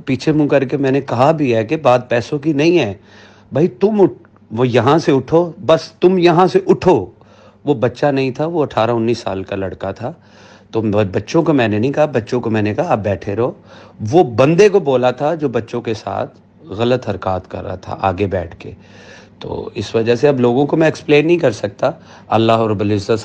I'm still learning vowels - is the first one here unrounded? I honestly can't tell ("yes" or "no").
yes